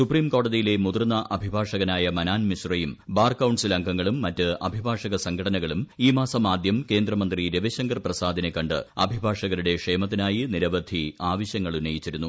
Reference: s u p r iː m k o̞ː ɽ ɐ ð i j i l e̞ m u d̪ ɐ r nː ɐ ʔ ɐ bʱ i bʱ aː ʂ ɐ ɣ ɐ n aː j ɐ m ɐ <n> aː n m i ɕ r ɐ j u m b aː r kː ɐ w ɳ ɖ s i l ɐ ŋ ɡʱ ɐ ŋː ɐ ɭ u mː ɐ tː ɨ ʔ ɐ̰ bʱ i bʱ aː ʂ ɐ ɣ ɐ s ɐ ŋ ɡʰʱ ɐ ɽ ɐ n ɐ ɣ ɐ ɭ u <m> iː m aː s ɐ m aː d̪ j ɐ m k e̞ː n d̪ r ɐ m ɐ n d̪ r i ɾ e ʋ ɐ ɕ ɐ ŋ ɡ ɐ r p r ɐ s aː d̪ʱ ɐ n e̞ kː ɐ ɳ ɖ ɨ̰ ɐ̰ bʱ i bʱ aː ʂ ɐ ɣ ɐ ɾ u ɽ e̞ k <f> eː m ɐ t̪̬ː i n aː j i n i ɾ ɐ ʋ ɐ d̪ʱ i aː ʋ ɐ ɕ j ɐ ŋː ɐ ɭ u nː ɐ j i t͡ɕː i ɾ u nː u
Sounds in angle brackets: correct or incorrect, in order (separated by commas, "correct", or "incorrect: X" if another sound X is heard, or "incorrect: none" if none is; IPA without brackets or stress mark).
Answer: correct, correct, incorrect: ʂ